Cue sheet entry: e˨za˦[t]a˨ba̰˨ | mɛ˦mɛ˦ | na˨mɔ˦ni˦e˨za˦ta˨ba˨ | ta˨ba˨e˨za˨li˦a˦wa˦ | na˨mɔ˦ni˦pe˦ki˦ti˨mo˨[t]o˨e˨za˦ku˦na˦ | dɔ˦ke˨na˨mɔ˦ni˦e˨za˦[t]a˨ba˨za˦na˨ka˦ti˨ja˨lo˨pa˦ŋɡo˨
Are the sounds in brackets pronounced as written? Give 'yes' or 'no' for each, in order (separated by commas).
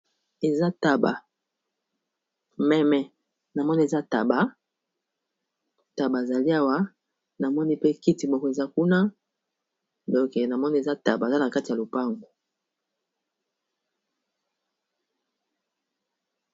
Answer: yes, no, yes